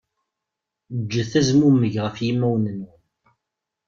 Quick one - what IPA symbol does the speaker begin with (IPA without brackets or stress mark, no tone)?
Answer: d͡ʒː